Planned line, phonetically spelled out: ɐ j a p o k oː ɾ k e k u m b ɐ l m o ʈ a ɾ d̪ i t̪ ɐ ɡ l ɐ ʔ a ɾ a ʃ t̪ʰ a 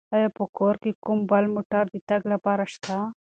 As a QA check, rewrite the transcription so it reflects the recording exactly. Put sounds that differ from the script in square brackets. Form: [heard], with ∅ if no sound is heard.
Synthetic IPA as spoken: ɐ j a p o k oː ɾ k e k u m b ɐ l m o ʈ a ɾ d̪ i t̪ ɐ ɡ l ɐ [p] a ɾ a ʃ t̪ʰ a